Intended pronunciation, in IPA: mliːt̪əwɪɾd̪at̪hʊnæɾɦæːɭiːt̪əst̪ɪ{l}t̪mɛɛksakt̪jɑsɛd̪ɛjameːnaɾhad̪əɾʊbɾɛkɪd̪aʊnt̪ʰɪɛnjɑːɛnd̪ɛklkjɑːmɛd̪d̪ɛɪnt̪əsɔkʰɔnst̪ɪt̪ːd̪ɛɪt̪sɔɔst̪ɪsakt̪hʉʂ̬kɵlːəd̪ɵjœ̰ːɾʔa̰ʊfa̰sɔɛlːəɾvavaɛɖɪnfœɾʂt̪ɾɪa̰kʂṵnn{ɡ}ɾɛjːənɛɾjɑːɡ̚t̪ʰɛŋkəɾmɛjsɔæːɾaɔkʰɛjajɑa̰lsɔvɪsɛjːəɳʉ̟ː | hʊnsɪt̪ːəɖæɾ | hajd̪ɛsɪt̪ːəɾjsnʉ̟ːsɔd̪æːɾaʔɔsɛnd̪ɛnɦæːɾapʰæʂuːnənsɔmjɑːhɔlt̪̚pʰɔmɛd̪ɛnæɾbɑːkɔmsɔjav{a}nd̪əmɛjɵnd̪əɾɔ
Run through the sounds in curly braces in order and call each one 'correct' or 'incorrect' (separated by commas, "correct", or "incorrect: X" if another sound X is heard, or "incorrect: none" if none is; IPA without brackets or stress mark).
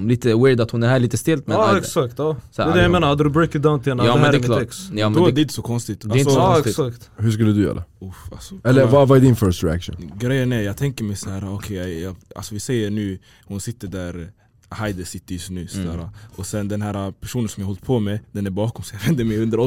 correct, correct, incorrect: ɛ